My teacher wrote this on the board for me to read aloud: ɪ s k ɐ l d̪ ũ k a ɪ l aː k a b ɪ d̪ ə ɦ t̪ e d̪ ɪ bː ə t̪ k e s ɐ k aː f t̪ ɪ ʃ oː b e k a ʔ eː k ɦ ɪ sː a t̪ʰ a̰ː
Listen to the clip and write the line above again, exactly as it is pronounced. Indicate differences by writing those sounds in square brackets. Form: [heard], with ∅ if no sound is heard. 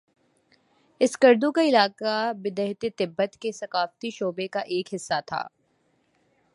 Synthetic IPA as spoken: ɪ s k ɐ [ɾ] d̪ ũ k a ɪ l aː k a b ɪ d̪ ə ɦ t̪ e [t̪] ɪ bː ə t̪ k e s ɐ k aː f t̪ [i] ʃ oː b e k a ʔ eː k ɦ ɪ sː a t̪ʰ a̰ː